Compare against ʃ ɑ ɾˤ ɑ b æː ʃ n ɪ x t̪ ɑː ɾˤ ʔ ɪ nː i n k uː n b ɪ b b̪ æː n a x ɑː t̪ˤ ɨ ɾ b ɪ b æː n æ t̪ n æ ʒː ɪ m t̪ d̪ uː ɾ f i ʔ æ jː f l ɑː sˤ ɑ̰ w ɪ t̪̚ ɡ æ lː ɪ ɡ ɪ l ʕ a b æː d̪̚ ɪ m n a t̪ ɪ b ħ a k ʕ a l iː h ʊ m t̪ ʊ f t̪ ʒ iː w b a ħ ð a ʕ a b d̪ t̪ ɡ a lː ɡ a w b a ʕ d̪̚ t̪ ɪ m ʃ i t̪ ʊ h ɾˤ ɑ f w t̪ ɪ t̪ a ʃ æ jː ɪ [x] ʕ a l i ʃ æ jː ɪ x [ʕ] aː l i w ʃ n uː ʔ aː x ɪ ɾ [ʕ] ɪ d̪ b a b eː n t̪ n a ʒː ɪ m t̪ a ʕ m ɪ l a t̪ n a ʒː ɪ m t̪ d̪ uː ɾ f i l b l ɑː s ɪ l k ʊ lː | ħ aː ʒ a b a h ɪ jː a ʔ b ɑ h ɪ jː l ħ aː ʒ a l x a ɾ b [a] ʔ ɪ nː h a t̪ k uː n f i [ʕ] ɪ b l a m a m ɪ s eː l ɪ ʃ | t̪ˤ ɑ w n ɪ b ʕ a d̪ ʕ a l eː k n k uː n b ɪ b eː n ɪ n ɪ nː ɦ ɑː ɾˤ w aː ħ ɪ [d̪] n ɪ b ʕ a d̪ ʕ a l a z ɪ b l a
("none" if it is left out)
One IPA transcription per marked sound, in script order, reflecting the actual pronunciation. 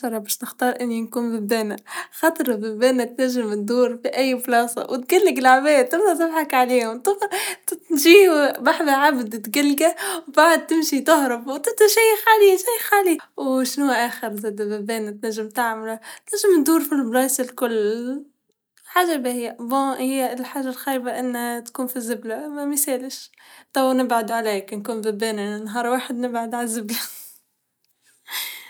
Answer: x, ʕ, z, a, z, d̪

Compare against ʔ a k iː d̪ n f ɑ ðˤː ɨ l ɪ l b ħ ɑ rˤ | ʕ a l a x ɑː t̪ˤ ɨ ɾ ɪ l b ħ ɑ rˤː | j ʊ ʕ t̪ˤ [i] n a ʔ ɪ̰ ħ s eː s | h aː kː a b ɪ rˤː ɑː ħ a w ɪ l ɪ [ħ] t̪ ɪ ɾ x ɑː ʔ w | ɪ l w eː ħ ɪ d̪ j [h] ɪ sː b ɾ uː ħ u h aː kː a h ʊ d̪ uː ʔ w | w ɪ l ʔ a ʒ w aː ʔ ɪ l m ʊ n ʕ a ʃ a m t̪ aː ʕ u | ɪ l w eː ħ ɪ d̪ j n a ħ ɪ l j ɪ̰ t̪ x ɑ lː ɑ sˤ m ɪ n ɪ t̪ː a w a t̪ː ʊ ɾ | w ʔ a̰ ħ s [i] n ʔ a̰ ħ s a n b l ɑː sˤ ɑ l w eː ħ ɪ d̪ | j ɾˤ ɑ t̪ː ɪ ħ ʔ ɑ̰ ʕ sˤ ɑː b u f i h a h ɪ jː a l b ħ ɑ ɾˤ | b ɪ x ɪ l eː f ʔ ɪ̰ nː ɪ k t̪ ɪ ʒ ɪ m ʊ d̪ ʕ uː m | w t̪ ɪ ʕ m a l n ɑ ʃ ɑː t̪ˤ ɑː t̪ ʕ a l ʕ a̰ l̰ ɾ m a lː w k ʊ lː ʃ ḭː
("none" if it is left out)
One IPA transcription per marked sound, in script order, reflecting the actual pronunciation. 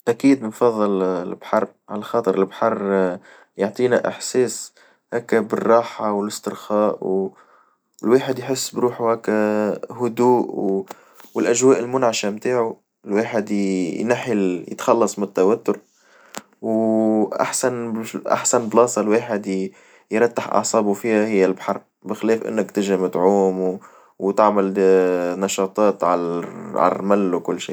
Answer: iː, s, ħ, a

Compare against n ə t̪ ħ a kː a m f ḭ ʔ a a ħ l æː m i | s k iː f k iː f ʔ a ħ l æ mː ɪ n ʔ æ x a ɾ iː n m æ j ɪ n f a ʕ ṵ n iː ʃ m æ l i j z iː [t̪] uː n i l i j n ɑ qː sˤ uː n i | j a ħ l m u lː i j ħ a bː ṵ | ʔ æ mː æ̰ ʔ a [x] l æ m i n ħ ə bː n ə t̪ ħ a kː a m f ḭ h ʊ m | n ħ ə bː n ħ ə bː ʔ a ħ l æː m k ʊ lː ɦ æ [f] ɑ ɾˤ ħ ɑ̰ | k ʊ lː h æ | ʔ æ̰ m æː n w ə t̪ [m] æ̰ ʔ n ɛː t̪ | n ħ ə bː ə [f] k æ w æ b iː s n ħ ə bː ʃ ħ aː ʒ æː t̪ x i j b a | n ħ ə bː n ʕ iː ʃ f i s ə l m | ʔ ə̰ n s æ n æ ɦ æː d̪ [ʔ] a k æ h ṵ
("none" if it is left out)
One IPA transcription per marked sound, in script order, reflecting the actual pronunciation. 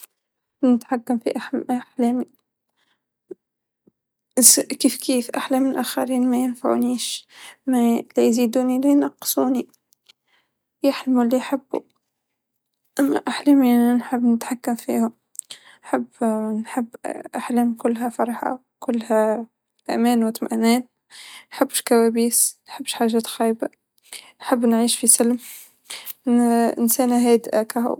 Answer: d̪, ħ, f, m, ʃ, ʔ

